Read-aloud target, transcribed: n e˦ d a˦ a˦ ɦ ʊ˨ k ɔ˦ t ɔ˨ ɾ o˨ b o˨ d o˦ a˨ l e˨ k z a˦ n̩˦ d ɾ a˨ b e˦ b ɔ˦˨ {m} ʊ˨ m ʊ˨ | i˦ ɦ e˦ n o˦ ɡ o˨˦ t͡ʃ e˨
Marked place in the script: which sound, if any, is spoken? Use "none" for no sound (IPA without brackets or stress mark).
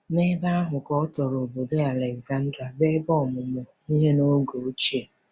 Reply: m